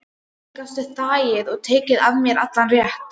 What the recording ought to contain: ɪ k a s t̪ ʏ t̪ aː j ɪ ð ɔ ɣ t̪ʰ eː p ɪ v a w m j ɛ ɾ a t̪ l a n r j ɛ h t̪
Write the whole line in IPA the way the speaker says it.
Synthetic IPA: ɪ k a s t̪ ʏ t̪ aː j ɪ ð ɔ ɣ t̪ʰ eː c ɪ ð a v m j ɛ ɾ a t̪ l a n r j ɛ h t̪